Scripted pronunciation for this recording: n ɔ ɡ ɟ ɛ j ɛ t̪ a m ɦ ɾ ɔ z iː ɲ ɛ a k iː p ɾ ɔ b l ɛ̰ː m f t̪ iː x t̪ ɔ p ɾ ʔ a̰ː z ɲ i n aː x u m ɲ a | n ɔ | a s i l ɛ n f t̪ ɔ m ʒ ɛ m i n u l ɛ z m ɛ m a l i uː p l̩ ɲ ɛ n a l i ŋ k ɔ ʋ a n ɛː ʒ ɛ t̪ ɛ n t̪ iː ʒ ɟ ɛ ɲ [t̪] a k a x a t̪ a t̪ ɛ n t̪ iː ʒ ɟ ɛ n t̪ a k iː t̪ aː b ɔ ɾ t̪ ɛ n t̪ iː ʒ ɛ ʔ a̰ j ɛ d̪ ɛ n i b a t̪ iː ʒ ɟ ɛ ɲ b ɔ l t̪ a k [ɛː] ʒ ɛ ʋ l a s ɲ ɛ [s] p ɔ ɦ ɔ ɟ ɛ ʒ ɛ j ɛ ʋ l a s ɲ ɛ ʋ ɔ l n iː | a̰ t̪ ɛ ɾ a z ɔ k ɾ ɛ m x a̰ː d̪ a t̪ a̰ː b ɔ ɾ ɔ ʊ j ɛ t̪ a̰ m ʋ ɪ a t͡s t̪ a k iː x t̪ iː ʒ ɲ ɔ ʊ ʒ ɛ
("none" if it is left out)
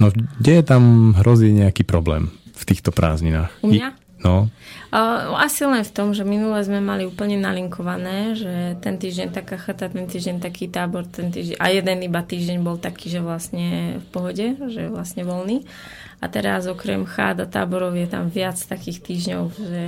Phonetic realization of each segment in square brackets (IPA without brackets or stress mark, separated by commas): t̪, iː, f